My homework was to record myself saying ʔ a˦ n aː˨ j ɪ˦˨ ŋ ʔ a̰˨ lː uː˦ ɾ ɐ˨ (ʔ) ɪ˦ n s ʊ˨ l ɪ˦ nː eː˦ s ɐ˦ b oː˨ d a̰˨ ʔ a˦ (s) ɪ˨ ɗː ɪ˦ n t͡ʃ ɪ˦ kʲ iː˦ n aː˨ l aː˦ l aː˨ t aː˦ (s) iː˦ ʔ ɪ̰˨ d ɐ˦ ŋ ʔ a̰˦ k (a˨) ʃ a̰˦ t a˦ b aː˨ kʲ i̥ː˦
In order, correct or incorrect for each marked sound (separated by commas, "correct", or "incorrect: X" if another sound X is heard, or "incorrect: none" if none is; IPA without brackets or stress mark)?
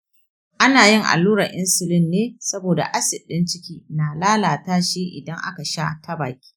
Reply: correct, correct, incorrect: ʃ, correct